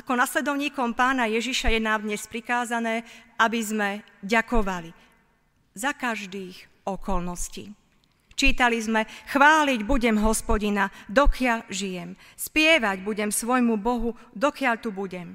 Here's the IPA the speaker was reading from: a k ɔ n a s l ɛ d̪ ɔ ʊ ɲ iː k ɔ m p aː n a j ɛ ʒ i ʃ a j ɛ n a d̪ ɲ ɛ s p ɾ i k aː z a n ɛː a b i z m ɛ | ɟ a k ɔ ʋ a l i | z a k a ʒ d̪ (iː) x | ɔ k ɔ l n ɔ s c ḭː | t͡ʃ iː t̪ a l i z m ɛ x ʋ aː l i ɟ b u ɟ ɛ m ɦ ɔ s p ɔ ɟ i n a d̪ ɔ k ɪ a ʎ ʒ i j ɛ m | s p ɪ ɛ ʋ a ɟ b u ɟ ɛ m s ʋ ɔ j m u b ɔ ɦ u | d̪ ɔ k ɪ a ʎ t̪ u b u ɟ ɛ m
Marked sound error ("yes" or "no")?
no